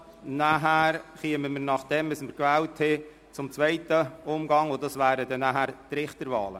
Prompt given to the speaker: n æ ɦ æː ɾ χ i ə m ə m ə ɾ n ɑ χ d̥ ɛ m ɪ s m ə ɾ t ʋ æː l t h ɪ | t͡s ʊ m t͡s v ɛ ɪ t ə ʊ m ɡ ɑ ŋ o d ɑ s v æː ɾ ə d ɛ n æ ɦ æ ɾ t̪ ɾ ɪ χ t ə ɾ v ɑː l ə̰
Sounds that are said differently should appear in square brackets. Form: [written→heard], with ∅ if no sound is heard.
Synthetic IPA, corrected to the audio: n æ ɦ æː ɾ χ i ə m ə m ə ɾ n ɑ χ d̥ ɛ m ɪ s m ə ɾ [t→k] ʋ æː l t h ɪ | t͡s ʊ m t͡s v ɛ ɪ t ə ʊ m ɡ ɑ ŋ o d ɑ s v æː ɾ ə d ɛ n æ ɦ æ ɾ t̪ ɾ ɪ χ t ə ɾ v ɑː l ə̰